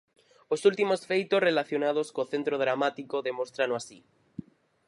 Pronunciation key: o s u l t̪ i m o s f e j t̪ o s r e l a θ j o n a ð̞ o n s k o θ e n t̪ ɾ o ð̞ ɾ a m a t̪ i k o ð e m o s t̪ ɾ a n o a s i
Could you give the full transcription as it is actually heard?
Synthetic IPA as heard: o s u l t̪ i m o s f e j t̪ o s r e l a θ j o n a ð̞ o s k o θ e n t̪ ɾ o ð̞ ɾ a m a t̪ i k o ð e m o s t̪ ɾ a n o a s i

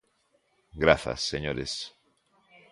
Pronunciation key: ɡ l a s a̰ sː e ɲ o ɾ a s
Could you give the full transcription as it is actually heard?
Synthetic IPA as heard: ɡ ɾ a θ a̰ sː e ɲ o ɾ e s

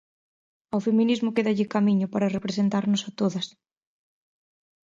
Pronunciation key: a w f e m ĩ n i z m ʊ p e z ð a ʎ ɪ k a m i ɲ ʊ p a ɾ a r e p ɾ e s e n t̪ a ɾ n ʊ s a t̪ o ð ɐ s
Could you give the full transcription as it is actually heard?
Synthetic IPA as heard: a w f e m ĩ n i z m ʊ k e ð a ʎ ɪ k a m i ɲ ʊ p a ɾ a r e p ɾ e s e n t̪ a ɾ n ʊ s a t̪ o ð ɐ s

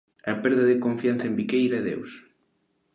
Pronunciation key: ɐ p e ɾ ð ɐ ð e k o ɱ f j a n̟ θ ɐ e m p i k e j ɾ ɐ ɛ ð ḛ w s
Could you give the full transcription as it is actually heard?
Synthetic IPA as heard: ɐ p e ɾ ð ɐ ð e k o ɱ f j a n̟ θ ɐ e m b i k e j ɾ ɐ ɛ ð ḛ w s

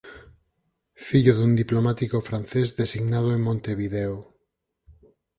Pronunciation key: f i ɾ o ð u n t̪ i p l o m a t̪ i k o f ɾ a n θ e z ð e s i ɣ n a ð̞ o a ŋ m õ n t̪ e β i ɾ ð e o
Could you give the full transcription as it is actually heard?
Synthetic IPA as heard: f i ʎ o ð u n d̪ i p l o m a t̪ i k o f ɾ a n θ e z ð e s i ɣ n a ð̞ o e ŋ m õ n t̪ e β i ð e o

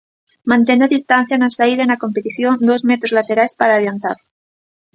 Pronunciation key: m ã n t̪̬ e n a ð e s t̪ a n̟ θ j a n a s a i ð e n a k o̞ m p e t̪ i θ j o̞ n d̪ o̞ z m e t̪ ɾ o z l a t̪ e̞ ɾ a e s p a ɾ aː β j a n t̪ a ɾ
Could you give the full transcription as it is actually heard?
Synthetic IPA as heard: m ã n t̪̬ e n a ð i s t̪ a n̟ θ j a n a s a i ð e n a k o̞ m p e t̪ i θ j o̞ n d̪ o̞ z m e t̪ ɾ o z l a t̪ e̞ ɾ a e s p a ɾ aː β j a n t̪ a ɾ

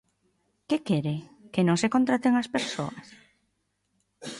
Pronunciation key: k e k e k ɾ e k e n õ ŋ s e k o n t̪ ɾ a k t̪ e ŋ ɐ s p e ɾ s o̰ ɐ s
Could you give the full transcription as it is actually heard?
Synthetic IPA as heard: k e k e ɾ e k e n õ ŋ s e k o n t̪ ɾ a t̪ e ŋ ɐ s p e ɾ s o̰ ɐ s

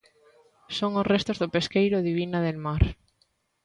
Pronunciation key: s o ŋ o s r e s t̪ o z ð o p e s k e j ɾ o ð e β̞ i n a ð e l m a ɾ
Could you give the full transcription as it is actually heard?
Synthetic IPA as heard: s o ŋ o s r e s t̪ o z ð o p e s k e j ɾ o ð i β̞ i n a ð e l m a ɾ

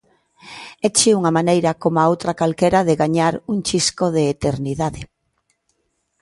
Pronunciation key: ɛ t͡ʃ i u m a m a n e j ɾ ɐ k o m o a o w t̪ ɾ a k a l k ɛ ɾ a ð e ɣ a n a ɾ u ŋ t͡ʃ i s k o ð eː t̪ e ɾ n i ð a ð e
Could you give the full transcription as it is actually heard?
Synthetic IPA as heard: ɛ t͡ʃ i u ŋ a m a n e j ɾ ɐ k o m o a o w t̪ ɾ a k a l k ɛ ɾ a ð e ɣ a ɲ a ɾ u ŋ t͡ʃ i s k o ð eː t̪ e ɾ n i ð a ð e

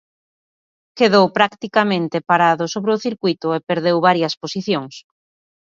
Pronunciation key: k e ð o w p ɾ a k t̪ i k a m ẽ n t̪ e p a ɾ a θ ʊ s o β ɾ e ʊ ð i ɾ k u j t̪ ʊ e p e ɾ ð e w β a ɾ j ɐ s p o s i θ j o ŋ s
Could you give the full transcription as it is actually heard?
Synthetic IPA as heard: k e ð o w p ɾ a k t̪ i k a m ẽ n t̪ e p a ɾ a ð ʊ s o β ɾ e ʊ θ i ɾ k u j t̪ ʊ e p e ɾ ð e w β a ɾ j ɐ s p o s i θ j o ŋ s

